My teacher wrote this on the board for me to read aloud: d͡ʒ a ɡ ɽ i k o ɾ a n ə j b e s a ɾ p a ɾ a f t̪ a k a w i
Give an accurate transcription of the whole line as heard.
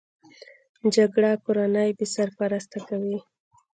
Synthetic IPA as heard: d͡ʒ a ɡ ɽ a k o ɾ a n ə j b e s a ɾ p a ɾ a s t̪ a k a w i